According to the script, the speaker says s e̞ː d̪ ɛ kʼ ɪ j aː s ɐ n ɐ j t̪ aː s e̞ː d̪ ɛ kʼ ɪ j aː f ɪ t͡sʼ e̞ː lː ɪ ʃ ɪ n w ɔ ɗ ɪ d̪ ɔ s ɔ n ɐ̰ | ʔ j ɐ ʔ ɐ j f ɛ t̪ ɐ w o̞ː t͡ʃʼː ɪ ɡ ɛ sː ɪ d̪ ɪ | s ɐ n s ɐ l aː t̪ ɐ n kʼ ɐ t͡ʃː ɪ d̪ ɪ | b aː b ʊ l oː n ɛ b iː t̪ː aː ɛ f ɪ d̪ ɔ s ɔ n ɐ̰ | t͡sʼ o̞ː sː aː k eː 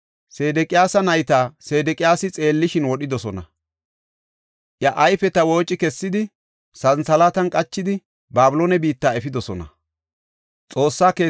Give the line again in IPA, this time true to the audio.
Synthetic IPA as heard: s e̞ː d̪ ɛ kʼ ɪ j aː s ɐ n ɐ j t̪ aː s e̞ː d̪ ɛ kʼ ɪ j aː s ɪ t͡sʼ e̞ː lː ɪ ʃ ɪ n w ɔ ɗ ɪ d̪ ɔ s ɔ n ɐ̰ | ʔ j ɐ ʔ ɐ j f ɛ t̪ ɐ w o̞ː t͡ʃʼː ɪ k ɛ sː ɪ d̪ ɪ | s ɐ n s ɐ l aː t̪ ɐ n kʼ ɐ t͡ʃː ɪ d̪ ɪ | b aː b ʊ l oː n ɛ b iː t̪ː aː ɛ f ɪ d̪ ɔ s ɔ n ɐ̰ | t͡sʼ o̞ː sː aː k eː